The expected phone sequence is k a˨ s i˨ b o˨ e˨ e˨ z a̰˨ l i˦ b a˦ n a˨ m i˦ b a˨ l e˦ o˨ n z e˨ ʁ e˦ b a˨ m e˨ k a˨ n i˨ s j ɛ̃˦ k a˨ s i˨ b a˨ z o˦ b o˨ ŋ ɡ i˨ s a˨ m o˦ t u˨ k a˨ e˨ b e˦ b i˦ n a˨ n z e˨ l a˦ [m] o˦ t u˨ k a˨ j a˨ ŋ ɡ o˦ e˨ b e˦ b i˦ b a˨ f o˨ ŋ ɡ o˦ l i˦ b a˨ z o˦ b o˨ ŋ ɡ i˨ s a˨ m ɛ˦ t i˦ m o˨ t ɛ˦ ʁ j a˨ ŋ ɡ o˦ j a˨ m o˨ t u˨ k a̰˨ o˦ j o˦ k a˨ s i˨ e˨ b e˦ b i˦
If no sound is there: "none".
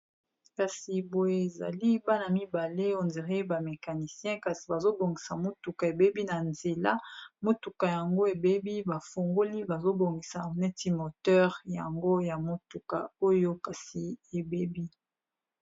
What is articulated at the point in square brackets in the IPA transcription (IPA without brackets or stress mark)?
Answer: m